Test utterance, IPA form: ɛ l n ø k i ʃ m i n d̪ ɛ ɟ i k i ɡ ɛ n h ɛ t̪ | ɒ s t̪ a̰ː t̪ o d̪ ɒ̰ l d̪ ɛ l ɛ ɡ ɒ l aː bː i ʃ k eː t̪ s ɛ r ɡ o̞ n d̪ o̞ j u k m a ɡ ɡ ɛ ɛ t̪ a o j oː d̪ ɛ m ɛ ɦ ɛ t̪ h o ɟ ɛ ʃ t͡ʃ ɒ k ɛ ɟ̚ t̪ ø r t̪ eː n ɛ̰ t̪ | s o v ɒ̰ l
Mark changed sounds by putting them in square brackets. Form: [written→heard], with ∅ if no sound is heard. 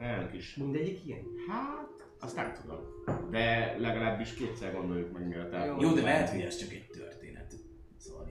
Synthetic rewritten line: ɛ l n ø k i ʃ m i n d̪ ɛ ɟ i k i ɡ ɛ n h [ɛ→a] t̪ | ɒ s t̪ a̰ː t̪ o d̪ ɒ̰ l d̪ ɛ l ɛ ɡ ɒ l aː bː i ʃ k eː t̪ s ɛ r ɡ o̞ n d̪ o̞ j u k m [a→ɛ] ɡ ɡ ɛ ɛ t̪ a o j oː d̪ ɛ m ɛ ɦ ɛ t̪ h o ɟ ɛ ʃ t͡ʃ ɒ k ɛ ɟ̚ t̪ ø r t̪ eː n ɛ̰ t̪ | s o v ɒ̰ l